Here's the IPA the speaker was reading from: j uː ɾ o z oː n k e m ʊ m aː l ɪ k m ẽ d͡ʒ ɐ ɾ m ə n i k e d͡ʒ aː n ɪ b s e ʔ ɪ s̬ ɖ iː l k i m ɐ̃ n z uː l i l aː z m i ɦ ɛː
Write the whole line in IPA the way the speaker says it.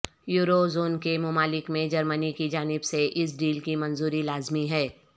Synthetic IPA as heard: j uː ɾ o z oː n k e m ʊ m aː l ɪ k m ẽ d͡ʒ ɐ ɾ m ə n i k i d͡ʒ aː n ɪ b s e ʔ ɪ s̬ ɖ iː l k i m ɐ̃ n z uː ɾ i l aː z m i ɦ ɛː